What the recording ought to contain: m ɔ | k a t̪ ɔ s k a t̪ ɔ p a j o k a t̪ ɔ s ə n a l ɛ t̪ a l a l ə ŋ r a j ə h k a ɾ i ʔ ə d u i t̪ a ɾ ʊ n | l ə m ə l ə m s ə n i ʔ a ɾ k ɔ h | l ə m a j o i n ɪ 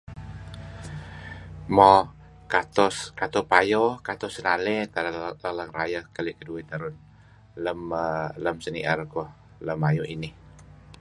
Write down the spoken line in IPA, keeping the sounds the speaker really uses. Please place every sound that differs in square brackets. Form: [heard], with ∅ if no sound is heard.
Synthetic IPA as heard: m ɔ | k a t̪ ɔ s k a t̪ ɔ p a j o k a t̪ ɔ s ə n a l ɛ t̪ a l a l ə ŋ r a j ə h k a [l] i [k] ə d u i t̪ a ɾ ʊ n | l ə m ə l ə m s ə n i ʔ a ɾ k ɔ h | l ə m a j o i n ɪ